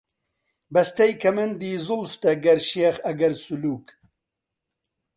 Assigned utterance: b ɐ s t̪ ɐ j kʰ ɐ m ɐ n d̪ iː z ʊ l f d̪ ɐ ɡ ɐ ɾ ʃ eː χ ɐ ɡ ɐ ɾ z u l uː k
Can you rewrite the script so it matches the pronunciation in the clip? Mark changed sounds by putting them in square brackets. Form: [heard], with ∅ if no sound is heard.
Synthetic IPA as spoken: b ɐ s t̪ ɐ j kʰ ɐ m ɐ n d̪ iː z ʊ l f [t̪] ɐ ɡ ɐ ɾ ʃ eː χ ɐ ɡ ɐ ɾ [s] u l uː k